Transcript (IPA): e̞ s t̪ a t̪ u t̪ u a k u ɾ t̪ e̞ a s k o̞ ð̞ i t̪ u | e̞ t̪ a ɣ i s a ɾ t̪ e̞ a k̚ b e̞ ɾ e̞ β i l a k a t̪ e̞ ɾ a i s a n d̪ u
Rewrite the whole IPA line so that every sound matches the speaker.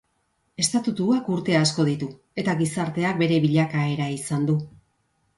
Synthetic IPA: e̞ s t̪ a t̪ u t̪ u a k u ɾ t̪ e̞ a s k o̞ ð̞ i t̪ u | e̞ t̪ a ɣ i s a ɾ t̪ e̞ a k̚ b e̞ ɾ e̞ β i ʎ a k a e̞ ɾ a i s a n d̪ u